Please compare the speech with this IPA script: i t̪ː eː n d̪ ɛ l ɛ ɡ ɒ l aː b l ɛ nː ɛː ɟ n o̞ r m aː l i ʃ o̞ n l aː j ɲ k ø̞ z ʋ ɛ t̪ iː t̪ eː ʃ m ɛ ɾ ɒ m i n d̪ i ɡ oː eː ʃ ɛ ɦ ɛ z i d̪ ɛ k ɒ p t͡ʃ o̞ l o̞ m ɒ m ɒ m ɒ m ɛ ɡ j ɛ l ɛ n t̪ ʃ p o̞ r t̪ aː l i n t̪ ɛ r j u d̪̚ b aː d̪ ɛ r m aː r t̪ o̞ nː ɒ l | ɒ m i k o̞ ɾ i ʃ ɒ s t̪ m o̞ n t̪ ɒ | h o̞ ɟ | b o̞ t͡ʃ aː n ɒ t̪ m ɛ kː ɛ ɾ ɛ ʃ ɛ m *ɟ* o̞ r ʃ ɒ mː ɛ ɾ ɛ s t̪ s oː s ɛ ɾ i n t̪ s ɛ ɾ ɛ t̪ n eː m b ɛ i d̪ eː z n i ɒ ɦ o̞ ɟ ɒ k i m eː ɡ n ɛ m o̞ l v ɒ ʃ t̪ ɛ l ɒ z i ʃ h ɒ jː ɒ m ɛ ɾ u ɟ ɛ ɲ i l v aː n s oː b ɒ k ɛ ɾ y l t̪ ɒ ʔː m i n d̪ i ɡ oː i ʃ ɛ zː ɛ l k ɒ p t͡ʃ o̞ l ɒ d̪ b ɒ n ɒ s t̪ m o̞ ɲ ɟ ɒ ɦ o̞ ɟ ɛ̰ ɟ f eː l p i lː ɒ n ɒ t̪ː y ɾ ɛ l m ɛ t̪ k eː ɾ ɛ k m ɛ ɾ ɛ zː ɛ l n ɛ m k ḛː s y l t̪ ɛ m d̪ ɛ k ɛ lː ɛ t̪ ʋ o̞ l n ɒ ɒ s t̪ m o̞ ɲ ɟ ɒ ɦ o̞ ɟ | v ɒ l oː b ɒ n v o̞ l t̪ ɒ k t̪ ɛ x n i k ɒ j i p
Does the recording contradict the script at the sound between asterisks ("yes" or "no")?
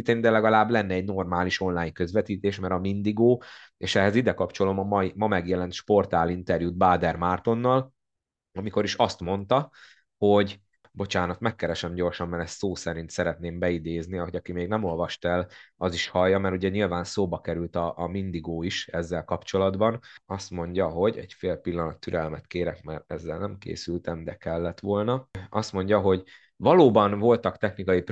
no